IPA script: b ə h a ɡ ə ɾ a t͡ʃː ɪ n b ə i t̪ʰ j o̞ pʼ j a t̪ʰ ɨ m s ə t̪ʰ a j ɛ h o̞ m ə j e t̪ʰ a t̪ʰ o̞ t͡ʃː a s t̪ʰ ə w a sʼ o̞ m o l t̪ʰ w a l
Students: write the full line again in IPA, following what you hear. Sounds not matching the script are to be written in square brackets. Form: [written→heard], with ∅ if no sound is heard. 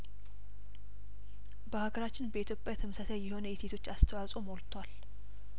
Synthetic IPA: b ə h a ɡ ə ɾ a t͡ʃː ɪ n b ə i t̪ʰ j o̞ pʼ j a t̪ʰ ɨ m s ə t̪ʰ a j ɛ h o̞ [m→n] ə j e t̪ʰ [a→e] t̪ʰ o̞ t͡ʃː a s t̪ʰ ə w a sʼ o̞ m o l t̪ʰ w a l